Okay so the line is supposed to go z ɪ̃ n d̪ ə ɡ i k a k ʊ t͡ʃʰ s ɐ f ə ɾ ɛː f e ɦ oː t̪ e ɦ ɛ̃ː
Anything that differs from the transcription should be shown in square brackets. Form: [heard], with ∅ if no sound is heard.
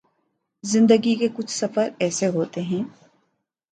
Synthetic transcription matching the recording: z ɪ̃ n d̪ ə ɡ i k [e] k ʊ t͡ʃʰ s ɐ f ə ɾ ɛː [s] e ɦ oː t̪ e ɦ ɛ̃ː